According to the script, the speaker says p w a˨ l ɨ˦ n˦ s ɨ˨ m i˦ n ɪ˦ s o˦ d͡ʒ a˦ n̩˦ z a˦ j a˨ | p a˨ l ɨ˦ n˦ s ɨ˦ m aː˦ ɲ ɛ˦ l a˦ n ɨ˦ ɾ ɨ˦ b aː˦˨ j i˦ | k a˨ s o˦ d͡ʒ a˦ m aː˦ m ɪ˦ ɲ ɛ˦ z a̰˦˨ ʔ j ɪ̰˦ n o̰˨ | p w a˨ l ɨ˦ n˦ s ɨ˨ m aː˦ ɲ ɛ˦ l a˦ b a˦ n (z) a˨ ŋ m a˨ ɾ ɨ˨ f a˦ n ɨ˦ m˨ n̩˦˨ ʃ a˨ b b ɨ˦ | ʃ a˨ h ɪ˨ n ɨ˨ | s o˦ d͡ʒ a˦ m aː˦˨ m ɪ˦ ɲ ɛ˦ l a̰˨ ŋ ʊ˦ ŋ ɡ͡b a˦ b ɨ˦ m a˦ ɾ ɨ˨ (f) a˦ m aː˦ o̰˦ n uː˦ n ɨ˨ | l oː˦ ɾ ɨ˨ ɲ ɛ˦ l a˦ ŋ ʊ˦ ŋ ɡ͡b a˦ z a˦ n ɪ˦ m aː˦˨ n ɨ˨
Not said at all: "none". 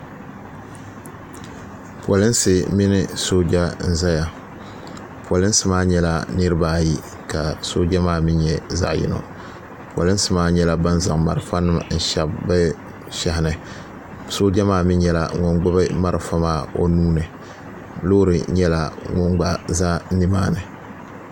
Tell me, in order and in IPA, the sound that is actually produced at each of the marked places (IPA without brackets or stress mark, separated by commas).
z, f